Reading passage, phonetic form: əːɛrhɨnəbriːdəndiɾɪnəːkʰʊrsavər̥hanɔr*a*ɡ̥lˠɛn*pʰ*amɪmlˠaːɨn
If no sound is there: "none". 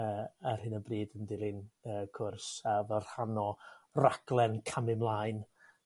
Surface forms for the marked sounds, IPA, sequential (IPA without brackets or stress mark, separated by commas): a, kʰ